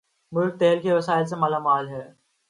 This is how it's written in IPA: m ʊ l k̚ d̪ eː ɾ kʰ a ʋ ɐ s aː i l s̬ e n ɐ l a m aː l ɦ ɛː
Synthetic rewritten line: m ʊ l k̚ t̪ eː l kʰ e ʋ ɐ s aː ɪ l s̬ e m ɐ l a m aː l ɦ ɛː

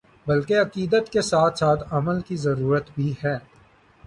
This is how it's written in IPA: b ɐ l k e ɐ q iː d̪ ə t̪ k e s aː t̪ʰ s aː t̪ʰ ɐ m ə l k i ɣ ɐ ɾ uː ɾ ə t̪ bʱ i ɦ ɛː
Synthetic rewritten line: b ɐ l k e ɐ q iː d̪ ə t̪ k e s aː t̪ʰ s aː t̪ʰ ɐ m ə l k i z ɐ ɾ uː ɾ ə t̪ bʱ i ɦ ɛː

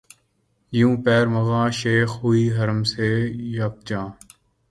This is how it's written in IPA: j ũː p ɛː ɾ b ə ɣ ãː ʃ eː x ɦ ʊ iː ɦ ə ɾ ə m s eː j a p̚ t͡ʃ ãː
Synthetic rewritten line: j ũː p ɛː ɾ m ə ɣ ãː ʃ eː x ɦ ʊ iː ɦ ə ɾ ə m s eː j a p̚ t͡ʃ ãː

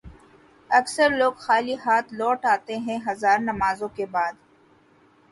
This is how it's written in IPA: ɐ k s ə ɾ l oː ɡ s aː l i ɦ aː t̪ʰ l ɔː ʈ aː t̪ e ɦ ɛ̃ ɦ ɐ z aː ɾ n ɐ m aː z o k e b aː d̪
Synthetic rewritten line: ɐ k s ə ɾ l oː ɡ x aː l i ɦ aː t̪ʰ l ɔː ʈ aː t̪ e ɦ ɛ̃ ɦ ɐ z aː ɾ n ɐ m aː z õ k e b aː d̪

